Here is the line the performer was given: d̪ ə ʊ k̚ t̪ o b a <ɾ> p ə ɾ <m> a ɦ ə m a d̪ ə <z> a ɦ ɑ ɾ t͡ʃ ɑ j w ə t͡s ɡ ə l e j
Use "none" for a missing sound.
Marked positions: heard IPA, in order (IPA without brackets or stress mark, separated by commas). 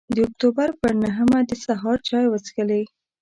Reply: ɾ, n, s